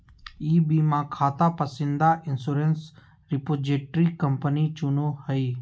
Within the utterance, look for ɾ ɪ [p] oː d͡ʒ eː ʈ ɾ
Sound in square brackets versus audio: correct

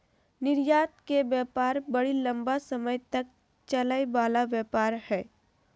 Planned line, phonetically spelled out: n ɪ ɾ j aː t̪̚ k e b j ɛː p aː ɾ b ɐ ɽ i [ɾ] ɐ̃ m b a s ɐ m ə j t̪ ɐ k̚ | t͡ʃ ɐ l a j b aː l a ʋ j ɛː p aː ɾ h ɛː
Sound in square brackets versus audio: incorrect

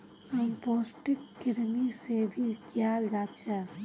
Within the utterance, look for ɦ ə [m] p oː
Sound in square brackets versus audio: correct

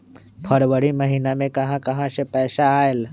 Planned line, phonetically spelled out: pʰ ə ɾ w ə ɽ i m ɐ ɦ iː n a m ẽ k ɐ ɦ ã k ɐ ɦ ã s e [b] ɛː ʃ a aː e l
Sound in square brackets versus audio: incorrect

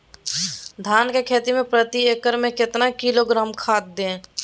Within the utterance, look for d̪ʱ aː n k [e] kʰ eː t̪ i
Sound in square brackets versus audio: correct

